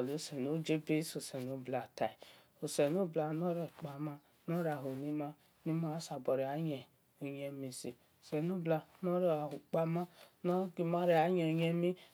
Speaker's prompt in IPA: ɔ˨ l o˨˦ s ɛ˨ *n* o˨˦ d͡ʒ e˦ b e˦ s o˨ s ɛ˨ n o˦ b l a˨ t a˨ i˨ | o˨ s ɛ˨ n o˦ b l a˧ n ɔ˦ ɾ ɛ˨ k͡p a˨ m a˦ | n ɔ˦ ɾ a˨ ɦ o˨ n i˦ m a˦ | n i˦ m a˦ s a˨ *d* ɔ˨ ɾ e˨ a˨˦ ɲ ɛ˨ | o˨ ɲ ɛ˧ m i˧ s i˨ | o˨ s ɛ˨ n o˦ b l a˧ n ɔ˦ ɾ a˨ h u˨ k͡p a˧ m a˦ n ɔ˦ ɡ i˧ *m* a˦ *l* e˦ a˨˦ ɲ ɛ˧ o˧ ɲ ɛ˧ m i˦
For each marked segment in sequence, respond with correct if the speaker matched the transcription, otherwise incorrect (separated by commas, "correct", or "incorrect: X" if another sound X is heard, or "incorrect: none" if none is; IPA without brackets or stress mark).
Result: correct, incorrect: b, correct, incorrect: ɾ